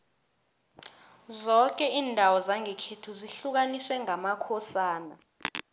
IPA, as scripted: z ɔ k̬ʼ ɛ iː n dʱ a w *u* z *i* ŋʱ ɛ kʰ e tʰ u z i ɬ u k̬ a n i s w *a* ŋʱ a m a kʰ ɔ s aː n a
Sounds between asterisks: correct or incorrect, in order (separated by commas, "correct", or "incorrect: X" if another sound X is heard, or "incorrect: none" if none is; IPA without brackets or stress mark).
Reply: incorrect: ɔ, incorrect: a, incorrect: ɛ